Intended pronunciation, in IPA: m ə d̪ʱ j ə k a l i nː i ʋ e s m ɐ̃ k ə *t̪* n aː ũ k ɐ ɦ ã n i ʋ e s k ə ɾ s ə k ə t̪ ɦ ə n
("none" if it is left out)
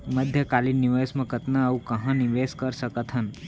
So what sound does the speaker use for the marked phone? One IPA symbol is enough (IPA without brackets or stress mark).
t̪